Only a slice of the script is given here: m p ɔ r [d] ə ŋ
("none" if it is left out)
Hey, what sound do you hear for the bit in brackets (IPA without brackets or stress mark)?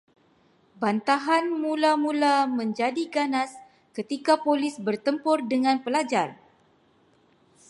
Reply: d